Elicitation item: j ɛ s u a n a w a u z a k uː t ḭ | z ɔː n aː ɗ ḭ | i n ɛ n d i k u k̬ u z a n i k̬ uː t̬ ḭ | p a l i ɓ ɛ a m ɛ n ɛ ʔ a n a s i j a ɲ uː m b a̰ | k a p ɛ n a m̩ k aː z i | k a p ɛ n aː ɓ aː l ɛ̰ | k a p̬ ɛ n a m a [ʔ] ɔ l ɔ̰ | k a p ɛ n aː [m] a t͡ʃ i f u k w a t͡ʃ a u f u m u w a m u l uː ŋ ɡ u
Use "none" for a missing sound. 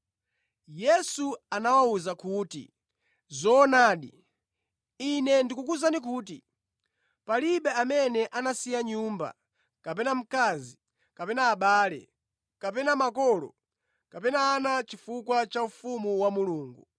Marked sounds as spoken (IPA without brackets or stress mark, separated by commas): k, n